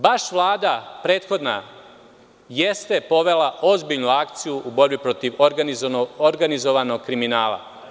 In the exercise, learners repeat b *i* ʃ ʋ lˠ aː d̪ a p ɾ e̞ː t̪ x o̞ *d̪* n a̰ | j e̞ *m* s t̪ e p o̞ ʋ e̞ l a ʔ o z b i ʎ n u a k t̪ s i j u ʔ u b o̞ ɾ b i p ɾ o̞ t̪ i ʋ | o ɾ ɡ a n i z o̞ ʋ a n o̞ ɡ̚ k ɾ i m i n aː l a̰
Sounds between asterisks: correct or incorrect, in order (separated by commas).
incorrect, correct, incorrect